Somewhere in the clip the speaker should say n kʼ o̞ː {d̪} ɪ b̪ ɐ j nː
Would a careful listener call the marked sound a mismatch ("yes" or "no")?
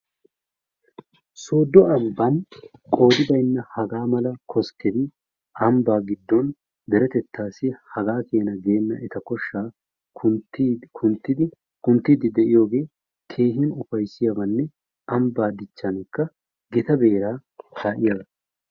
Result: no